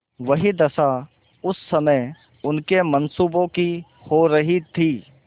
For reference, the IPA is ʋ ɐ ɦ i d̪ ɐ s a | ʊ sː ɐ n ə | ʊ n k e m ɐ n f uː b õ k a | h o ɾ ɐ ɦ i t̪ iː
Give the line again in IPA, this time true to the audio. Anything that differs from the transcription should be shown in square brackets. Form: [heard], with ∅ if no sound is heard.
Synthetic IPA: ʋ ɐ ɦ i d̪ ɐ s a | ʊ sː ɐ [m] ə | ʊ n k e m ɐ n [s] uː b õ k [i] | h o ɾ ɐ ɦ i [t̪ʰ] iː